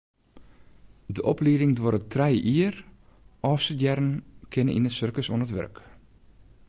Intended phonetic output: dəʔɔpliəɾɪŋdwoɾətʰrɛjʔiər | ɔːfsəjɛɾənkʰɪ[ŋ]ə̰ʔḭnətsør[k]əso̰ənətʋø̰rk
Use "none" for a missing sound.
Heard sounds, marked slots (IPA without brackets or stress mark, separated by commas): n, k